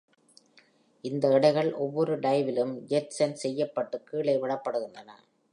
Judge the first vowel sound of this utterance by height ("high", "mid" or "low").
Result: high